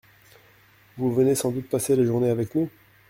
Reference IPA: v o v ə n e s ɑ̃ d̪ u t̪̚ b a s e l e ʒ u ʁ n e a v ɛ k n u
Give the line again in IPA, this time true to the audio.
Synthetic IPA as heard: v u v ə n e s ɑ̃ d̪ u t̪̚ p a s e l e ʒ u ʁ n e a v ɛ k n u